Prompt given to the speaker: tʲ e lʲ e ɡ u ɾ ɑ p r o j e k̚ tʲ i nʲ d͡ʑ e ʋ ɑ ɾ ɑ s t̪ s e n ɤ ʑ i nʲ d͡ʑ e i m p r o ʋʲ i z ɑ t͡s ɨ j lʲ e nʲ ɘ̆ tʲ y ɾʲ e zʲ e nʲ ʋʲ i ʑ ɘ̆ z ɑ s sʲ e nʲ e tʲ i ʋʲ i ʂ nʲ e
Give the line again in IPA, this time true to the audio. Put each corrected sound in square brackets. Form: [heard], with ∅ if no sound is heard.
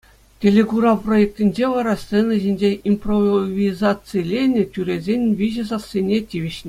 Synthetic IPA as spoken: tʲ e lʲ e ɡ u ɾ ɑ p r o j e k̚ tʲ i nʲ d͡ʑ e ʋ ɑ ɾ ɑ s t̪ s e n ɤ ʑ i nʲ d͡ʑ e i m p r o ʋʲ i z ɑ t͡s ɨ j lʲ e nʲ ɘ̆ tʲ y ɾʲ e zʲ e nʲ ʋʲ i ʑ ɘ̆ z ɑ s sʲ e nʲ e tʲ i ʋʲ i [ɕ] nʲ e